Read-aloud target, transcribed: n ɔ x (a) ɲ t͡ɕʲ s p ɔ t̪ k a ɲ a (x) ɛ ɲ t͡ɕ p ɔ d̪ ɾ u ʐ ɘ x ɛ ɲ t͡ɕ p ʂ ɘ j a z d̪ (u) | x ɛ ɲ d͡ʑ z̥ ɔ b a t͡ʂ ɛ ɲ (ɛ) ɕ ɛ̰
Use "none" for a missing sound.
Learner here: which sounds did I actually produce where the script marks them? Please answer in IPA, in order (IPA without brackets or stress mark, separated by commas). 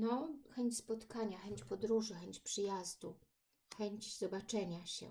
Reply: ɛ, x, u, a